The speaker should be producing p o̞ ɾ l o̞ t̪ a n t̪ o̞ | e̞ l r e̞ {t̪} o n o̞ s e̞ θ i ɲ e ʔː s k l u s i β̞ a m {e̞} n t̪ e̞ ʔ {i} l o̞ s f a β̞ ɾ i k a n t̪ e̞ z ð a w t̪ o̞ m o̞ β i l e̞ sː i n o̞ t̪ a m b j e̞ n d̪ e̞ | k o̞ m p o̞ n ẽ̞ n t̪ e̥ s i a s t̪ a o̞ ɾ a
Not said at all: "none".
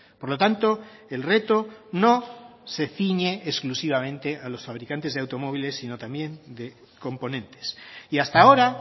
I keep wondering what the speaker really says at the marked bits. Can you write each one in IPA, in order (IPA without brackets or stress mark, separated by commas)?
t̪, ẽ̞, a